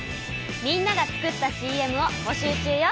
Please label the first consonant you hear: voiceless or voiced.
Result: voiced